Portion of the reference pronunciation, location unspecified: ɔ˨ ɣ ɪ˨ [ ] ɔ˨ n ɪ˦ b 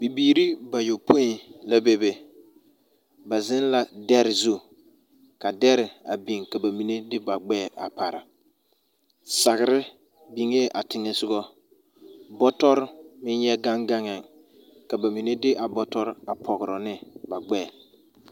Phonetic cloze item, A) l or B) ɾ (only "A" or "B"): B